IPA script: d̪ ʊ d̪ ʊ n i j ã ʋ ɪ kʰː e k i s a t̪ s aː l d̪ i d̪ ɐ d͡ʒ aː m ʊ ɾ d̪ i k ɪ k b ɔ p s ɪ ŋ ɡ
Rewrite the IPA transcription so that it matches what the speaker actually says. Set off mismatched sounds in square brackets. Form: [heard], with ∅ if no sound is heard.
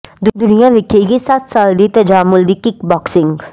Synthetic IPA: d̪ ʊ d̪ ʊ n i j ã ʋ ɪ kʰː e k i s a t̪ s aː l d̪ i [t̪] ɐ d͡ʒ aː m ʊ [l] d̪ i k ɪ k b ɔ [k] s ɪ ŋ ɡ